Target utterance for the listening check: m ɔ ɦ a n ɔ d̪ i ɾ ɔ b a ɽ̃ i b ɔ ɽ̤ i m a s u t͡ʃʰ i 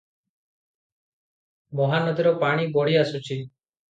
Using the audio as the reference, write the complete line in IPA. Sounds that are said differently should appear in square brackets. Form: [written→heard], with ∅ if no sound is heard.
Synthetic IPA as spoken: m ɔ ɦ a n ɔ d̪ i ɾ ɔ [b→p] a ɽ̃ i b ɔ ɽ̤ i [m→∅] a s u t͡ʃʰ i